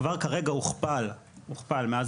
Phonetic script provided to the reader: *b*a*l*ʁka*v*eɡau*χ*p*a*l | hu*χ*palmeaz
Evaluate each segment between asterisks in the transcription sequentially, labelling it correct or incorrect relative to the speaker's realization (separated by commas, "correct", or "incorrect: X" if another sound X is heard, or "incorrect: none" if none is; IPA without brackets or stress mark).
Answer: incorrect: v, incorrect: none, incorrect: ʁ, correct, correct, correct